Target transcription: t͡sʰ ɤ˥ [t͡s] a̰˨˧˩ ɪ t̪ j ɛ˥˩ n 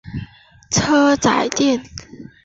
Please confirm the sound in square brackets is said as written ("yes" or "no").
yes